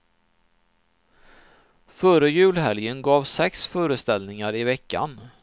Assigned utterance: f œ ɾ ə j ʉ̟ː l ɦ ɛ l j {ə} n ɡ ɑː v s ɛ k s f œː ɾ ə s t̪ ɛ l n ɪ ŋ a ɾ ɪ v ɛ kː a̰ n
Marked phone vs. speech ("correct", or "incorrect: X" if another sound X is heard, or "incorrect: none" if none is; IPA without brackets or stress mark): correct